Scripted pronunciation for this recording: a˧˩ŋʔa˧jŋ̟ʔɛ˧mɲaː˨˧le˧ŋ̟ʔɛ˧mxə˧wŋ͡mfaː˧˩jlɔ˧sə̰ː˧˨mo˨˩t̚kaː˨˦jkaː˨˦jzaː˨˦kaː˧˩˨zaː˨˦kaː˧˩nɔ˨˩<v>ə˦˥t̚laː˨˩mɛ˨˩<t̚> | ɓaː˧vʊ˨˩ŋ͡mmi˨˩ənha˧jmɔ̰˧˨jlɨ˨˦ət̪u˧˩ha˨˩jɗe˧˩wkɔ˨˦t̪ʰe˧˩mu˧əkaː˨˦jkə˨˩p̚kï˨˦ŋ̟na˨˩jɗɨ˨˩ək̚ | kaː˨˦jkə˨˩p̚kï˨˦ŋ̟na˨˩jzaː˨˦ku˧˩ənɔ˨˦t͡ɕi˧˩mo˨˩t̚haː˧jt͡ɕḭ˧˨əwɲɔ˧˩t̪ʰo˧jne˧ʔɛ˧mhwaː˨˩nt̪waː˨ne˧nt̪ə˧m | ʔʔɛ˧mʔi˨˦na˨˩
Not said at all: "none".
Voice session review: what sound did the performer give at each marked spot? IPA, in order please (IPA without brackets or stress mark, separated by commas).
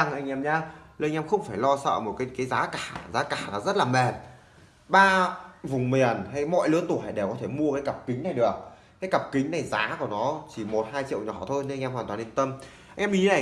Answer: z, t̚